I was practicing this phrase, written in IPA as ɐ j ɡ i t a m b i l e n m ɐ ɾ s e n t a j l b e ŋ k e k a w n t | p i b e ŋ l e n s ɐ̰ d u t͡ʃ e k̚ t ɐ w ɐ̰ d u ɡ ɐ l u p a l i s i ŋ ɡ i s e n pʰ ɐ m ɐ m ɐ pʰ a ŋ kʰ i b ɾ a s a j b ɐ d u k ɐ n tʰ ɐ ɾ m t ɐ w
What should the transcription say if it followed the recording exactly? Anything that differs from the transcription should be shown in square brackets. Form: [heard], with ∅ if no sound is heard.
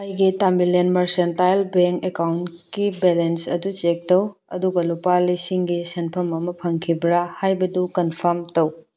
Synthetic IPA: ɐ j ɡ i t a m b i l e n m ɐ ɾ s e n t a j l b e ŋ k e k a w n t | [k] i b e [∅] l e n s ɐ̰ d u t͡ʃ e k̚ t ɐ w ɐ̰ d u ɡ ɐ l u p a l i s i ŋ ɡ i s e n pʰ ɐ m ɐ m ɐ pʰ [ɐ] ŋ kʰ i b ɾ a [h] a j b ɐ d u k ɐ n [pʰ] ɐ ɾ m t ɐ w